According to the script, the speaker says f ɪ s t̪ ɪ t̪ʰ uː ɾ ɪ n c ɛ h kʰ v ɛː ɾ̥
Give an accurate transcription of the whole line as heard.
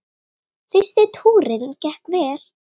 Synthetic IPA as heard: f ɪ s t̪ ɪ t̪ʰ uː ɾ ɪ n c ɛ h k v ɛː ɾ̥

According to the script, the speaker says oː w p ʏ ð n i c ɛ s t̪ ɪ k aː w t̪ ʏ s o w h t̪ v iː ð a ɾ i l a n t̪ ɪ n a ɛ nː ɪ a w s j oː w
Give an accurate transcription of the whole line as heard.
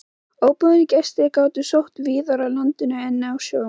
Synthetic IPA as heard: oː w p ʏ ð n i c ɛ s t̪ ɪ k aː w t̪ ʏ s o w h t̪ v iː ð a ɾ a l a n t̪ ɪ n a ɛ nː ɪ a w s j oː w

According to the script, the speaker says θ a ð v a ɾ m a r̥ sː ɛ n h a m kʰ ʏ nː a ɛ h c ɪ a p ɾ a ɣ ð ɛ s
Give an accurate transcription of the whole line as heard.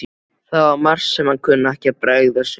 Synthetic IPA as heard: θ a ð v a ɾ m a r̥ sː ɛ m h a n kʰ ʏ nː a ɛ h c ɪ a p ɾ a ɣ ð a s

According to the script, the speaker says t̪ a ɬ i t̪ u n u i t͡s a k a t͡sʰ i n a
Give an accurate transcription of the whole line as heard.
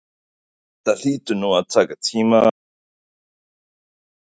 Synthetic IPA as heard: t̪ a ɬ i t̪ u n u a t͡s a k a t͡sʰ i m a

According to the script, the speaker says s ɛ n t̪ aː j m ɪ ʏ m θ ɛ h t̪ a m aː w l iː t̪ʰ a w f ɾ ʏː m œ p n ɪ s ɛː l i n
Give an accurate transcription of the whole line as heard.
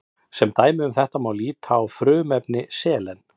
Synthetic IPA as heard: s ɛ m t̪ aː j m ɪ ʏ m θ ɛ h t̪ a m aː w l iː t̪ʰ a w f ɾ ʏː m ɛ p n ɪ s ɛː l ɛ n

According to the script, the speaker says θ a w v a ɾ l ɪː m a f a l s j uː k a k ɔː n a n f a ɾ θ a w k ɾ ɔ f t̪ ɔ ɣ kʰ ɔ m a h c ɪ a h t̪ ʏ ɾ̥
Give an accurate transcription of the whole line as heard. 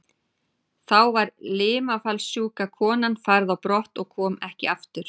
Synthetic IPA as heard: θ a w v a ɾ l ɪː m a f a l s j uː k a kʰ ɔː n a n f a ɾ ð a w p ɾ ɔ h t̪ ɔ ɣ kʰ ɔː m ɛ h c ɪ a f t̪ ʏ ɾ̥

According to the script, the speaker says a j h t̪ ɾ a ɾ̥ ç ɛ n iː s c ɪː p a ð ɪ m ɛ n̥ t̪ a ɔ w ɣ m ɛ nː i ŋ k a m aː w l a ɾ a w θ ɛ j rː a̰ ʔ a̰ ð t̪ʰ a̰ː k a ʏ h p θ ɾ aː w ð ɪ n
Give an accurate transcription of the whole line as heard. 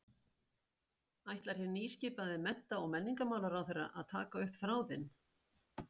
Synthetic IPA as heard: a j h t̪ l a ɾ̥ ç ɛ n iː s c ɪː p a ð ɪ m ɛ n̥ t̪ a ɔ ɣ m ɛ nː i ŋ k a m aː w l a ɾ a w θ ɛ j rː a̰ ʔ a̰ ð t̪ʰ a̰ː k a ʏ h p θ ɾ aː w ð ɪ n

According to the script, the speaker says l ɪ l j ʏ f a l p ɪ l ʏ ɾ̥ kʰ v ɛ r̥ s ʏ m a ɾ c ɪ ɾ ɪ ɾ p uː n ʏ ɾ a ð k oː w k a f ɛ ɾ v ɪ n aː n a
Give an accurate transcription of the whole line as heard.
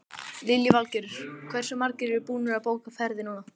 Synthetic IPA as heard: l ɪ l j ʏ v a l c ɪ ɾ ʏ ɾ̥ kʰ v ɛ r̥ s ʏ m a ɾ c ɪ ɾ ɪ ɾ p uː n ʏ ɾ a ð p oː w k a f ɛ ɾ ð ɪ n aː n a

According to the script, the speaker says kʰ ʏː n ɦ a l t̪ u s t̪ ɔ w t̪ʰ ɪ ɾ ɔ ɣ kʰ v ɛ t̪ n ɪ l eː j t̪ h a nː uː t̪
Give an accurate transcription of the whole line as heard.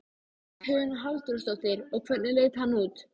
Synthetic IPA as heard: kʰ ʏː n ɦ a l t̪ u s t̪ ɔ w t̪ ɪ ɾ ɔ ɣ kʰ v ɛ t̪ n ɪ l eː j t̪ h a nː uː t̪

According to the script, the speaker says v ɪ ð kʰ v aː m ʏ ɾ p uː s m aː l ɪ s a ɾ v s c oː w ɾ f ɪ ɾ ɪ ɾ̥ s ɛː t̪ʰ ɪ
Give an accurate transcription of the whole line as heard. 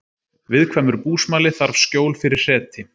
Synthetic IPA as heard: v ɪ ð kʰ v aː m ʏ ɾ p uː s m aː l ɪ θ a ɾ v s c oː w l f ɪ ɾ ɪ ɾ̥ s ɛː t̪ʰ ɪ

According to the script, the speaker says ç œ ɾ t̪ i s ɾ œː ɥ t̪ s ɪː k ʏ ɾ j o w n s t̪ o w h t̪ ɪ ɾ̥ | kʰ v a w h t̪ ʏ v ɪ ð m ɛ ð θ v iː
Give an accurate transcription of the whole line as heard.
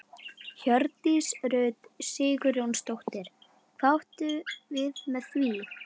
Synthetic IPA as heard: ç œ ɾ t̪ i s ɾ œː ɥ t̪ s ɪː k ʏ ɾ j o w n s t̪ o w h t̪ ɪ ɾ̥ | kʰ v a w h t̪ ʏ v ɪ ð m ɛ ð θ v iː

